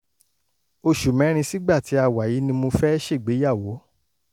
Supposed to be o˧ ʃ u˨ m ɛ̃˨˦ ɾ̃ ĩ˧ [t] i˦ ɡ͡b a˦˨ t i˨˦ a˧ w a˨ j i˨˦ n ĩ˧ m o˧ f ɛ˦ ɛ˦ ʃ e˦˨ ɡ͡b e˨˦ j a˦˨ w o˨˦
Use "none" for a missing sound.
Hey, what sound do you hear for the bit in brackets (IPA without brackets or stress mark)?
s